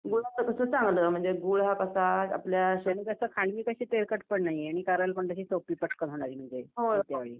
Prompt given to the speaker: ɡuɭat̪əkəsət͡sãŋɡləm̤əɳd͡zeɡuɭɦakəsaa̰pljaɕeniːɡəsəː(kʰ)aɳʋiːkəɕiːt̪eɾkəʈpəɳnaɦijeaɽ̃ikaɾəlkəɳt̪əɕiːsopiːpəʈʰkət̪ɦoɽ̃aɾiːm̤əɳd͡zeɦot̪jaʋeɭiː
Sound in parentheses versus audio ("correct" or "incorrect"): correct